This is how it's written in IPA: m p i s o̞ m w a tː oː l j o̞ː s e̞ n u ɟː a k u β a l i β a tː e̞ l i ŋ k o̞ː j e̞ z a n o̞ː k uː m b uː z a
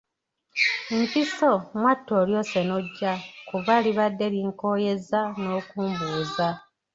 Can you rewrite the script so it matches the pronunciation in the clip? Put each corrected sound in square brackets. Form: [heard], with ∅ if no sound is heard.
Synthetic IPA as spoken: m p i s o̞ m w a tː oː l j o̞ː s e̞ n [o] ɟː a k u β a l i β a [dː] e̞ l i ŋ k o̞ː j e̞ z a n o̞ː k uː m b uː z a